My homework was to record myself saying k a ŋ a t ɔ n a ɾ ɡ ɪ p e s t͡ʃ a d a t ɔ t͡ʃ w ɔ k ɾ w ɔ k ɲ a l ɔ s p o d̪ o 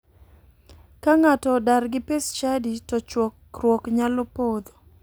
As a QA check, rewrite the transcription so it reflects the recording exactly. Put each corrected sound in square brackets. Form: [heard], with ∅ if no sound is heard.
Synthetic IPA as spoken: k a ŋ a t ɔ [d] a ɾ ɡ ɪ p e s t͡ʃ a d [i] t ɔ t͡ʃ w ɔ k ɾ w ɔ k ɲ a l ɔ [∅] p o d̪ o